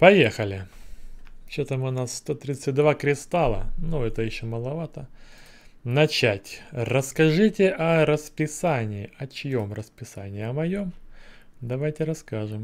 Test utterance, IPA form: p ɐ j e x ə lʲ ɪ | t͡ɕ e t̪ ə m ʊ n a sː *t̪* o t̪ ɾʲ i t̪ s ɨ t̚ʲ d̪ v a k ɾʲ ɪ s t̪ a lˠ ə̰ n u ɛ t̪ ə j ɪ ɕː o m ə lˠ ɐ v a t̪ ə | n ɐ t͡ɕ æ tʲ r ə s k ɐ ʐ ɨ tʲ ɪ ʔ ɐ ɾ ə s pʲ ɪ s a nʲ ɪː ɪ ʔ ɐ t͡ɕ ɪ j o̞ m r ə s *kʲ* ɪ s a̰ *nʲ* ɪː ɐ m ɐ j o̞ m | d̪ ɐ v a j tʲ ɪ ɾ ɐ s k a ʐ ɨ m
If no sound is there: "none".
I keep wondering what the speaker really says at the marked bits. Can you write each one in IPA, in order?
t̪, pʲ, nʲ

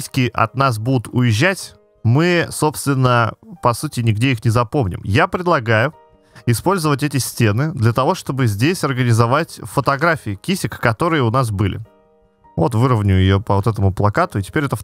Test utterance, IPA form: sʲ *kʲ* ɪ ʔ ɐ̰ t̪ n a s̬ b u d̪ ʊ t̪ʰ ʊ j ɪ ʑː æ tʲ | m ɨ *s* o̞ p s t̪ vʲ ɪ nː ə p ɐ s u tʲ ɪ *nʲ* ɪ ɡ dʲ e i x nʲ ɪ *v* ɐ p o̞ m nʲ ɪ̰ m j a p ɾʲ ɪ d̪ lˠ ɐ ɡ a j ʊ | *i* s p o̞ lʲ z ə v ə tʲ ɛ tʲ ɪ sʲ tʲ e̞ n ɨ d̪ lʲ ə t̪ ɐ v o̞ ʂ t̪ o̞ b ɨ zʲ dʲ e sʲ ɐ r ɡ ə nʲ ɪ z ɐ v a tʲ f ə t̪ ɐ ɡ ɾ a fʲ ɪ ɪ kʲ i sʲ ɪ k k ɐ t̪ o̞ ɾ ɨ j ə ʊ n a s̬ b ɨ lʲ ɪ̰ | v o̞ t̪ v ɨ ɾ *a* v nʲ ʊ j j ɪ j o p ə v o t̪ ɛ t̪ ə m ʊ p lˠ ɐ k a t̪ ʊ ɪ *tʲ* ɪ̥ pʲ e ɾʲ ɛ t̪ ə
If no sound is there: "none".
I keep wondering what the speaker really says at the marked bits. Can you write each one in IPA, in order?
kʲ, s, nʲ, z, ɪ, ə, tʲ

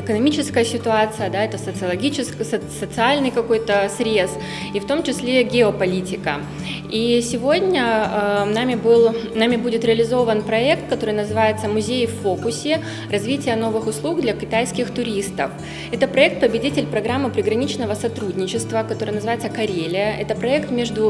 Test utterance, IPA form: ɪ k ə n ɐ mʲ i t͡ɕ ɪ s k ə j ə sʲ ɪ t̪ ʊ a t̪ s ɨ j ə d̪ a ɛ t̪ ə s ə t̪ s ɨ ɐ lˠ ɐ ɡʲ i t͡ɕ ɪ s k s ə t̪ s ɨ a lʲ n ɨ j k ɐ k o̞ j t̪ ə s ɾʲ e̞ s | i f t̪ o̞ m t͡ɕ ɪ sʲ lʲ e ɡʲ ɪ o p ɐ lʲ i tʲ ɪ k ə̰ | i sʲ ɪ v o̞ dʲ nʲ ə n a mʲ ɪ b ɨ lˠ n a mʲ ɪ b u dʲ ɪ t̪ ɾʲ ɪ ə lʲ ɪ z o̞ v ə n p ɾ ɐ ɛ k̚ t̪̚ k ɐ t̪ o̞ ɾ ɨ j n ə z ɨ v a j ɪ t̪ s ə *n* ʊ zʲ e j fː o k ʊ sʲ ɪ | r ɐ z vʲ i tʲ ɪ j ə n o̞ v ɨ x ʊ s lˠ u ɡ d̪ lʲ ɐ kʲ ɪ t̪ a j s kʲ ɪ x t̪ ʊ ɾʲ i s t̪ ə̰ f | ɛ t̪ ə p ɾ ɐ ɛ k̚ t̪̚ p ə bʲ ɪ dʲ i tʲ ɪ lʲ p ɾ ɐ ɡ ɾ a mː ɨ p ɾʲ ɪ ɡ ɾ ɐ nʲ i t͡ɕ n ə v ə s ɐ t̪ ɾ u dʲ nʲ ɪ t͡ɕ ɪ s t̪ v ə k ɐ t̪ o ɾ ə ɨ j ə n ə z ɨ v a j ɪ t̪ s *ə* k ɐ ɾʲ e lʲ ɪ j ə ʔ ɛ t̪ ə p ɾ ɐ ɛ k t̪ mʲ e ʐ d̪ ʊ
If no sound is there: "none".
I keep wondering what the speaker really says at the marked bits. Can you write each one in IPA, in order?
m, ə

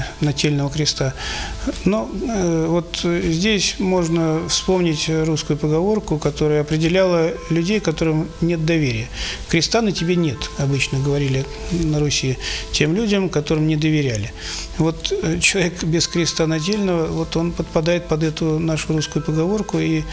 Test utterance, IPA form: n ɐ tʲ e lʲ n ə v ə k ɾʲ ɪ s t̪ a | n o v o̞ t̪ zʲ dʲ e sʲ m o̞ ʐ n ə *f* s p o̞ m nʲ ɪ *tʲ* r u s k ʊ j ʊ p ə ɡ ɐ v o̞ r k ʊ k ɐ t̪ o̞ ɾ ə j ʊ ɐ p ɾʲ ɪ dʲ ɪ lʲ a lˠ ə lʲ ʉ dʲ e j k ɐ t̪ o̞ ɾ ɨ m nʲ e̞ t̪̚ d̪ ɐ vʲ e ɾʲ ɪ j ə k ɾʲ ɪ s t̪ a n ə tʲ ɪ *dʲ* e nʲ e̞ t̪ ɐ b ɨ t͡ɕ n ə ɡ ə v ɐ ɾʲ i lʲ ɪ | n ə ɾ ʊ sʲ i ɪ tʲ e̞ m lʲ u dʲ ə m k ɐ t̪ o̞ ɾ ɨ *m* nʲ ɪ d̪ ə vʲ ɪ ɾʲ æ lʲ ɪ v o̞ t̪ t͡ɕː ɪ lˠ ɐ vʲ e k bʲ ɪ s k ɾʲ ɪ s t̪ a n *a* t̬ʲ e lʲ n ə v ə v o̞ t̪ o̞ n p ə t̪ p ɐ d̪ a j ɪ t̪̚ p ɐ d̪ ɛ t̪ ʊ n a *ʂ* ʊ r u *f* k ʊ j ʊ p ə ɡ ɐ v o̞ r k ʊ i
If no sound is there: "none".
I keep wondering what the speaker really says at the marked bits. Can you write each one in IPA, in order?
f, tʲ, bʲ, m, ɐ, ʂ, s

